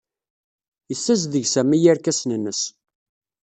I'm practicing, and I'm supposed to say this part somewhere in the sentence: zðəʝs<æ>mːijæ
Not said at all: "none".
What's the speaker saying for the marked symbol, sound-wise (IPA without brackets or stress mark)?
æ